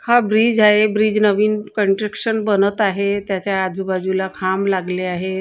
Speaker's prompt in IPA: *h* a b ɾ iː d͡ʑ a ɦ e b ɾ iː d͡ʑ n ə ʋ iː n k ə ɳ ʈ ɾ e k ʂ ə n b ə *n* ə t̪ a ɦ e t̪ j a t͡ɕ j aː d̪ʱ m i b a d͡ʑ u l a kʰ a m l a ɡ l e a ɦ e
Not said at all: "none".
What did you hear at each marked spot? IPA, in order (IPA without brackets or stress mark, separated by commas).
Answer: h, n